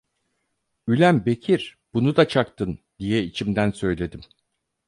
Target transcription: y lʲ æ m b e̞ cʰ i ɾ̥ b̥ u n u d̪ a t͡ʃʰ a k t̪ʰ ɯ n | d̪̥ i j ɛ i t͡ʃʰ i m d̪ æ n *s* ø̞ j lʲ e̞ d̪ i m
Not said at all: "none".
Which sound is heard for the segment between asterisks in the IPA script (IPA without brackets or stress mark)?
s